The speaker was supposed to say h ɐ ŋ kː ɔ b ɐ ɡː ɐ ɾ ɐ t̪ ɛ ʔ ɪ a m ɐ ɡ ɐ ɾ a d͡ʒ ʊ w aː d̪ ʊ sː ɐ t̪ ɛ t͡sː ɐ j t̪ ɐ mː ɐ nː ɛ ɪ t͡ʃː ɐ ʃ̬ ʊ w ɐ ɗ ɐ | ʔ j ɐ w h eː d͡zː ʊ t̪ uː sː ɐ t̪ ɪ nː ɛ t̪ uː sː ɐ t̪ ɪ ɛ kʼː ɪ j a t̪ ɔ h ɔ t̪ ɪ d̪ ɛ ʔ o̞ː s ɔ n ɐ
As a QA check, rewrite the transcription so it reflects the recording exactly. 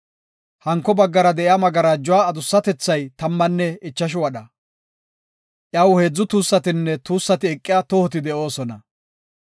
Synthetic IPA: h ɐ ŋ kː ɔ b ɐ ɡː ɐ ɾ ɐ d̪ ɛ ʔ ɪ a m ɐ ɡ ɐ ɾ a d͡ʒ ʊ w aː d̪ ʊ sː ɐ t̪ ɛ t͡sː ɐ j t̪ ɐ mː ɐ nː ɛ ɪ t͡ʃː ɐ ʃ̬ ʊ w ɐ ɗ ɐ | ʔ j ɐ w h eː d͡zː ʊ t̪ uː sː ɐ t̪ ɪ nː ɛ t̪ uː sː ɐ t̪ ɪ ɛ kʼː ɪ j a t̪ ɔ h ɔ t̪ ɪ d̪ ɛ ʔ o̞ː s ɔ n ɐ